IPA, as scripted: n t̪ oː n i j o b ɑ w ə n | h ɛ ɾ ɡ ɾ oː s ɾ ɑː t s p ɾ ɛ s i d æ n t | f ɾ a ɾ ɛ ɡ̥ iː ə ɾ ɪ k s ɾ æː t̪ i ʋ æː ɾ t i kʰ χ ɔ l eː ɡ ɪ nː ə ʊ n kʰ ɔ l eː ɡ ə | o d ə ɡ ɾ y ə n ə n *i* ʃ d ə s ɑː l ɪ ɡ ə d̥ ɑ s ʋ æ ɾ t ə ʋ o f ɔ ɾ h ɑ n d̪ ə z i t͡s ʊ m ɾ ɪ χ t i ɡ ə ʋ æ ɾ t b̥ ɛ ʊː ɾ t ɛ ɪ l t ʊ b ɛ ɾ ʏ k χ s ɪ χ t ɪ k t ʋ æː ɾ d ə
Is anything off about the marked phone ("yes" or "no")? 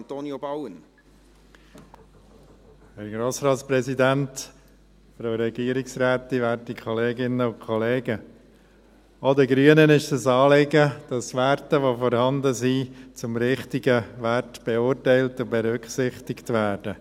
yes